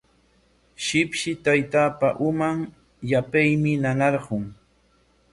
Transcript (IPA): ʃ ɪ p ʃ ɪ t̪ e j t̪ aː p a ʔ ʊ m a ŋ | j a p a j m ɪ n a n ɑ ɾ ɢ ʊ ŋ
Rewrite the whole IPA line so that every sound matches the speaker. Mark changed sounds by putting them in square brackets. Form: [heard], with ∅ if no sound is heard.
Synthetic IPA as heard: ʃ ɪ p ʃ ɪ t̪ [a] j t̪ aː p a ʔ ʊ m a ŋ | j a p a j m ɪ n a n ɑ ɾ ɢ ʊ ŋ